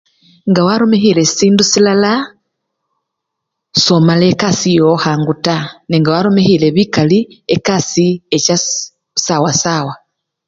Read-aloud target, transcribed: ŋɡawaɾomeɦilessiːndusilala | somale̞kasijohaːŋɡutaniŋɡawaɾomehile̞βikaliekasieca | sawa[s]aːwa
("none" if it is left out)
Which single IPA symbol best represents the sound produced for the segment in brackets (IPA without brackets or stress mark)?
s